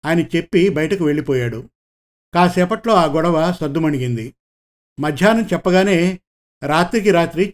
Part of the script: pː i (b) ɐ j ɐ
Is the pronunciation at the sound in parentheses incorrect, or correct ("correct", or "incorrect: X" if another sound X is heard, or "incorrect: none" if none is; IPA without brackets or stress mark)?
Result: correct